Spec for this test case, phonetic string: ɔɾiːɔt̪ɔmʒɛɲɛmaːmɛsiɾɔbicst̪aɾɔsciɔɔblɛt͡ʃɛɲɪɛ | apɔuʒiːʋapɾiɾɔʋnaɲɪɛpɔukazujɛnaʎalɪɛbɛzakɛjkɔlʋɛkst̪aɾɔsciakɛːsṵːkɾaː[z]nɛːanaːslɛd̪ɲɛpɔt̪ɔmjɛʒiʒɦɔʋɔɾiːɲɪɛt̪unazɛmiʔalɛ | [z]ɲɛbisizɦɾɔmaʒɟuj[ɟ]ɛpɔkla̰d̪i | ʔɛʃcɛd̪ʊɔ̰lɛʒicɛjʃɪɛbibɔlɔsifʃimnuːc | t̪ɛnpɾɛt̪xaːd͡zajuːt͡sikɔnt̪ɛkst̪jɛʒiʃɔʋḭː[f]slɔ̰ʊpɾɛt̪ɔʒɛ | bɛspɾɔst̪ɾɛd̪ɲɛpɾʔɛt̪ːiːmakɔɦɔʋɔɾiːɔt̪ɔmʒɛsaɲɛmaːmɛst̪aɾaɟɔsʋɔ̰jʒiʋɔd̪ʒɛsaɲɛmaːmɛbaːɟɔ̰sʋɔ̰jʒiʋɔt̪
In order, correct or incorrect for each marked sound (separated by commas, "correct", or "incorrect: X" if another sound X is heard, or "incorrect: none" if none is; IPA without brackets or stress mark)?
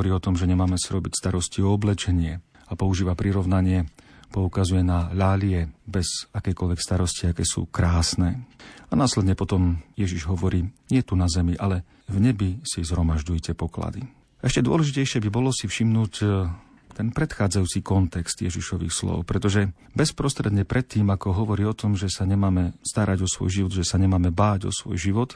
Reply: incorrect: s, incorrect: v, incorrect: c, incorrect: x